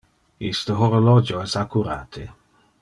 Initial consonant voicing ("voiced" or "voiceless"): voiceless